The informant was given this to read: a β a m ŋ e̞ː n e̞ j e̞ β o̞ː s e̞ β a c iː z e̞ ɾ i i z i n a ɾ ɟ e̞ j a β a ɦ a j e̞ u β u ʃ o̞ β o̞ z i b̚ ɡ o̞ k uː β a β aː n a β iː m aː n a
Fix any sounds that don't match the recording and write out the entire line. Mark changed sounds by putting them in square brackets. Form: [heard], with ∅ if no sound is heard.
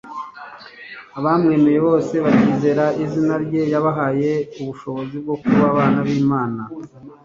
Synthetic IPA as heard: a β a m ŋ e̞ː [m] e̞ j e̞ β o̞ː s e̞ β a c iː z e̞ ɾ [a] i z i n a ɾ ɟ e̞ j a β a ɦ a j e̞ u β u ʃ o̞ β o̞ z i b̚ ɡ o̞ k [u] β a β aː n a β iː m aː n a